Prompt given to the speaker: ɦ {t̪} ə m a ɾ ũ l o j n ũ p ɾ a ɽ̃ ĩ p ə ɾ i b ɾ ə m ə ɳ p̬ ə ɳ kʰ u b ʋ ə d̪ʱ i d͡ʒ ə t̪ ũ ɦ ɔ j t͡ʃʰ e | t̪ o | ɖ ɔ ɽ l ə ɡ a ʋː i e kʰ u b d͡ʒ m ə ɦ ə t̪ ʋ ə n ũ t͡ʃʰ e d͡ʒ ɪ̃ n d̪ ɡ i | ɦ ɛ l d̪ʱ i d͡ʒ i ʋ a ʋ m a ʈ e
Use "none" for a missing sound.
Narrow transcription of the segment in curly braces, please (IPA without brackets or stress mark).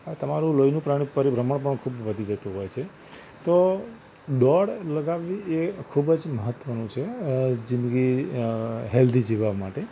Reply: t̪